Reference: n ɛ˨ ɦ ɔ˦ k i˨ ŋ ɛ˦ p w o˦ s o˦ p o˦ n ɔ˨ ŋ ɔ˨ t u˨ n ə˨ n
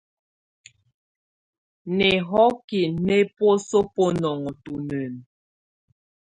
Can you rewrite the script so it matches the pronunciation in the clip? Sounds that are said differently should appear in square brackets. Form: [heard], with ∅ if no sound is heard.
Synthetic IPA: n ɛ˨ ɦ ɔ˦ k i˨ [n] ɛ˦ p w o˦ s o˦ p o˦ n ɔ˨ ŋ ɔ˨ t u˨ n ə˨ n